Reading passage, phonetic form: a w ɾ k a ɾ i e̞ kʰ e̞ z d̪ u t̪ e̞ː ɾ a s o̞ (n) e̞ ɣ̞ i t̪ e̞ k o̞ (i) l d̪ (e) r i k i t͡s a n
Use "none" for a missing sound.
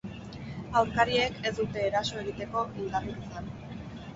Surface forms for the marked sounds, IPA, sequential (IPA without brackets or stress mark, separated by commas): none, i, a